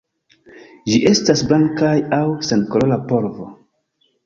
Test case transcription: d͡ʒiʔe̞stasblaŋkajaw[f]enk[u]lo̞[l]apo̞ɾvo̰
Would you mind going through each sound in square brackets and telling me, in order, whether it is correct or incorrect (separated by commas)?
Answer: incorrect, incorrect, correct